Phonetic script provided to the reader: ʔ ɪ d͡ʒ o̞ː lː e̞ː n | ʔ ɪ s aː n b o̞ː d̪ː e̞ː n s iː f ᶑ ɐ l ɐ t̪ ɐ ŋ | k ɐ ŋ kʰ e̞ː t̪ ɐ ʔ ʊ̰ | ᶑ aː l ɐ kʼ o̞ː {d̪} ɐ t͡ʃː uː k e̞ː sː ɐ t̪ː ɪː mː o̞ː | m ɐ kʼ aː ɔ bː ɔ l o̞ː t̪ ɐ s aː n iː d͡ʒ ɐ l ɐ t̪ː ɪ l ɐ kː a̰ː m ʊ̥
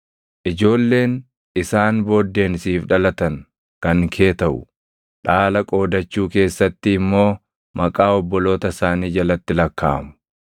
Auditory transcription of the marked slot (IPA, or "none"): d̪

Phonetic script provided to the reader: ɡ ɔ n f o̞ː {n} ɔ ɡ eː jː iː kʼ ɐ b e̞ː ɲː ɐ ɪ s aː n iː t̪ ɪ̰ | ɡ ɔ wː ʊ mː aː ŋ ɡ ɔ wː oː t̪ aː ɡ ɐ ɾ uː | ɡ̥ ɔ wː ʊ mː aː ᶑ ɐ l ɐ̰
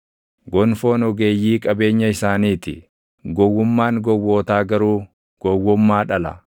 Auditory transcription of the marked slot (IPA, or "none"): n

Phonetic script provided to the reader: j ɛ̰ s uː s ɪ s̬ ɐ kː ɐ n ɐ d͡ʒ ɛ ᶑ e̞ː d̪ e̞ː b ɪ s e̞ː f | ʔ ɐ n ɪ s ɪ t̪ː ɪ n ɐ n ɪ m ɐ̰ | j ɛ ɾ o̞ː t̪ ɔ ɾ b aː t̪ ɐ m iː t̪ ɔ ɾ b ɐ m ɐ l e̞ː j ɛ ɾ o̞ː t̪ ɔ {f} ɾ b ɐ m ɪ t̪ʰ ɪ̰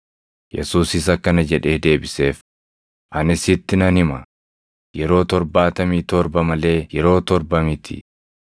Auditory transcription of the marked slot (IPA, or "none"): none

